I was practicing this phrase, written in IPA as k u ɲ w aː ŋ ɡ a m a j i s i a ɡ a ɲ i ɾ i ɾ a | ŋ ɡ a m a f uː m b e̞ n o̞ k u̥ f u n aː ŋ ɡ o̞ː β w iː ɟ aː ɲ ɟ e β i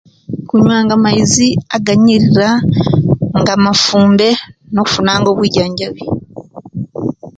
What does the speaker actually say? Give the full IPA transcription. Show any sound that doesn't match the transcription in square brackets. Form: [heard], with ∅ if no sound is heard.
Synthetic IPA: k u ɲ w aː ŋ ɡ a m a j i [z] i a ɡ a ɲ i ɾ i ɾ a | ŋ ɡ a m a f uː m b e̞ n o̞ k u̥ f u n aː ŋ ɡ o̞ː β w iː ɟ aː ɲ ɟ [a] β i